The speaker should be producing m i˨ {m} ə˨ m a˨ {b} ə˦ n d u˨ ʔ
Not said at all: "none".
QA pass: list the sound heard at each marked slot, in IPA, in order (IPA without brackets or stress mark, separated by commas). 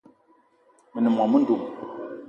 n, m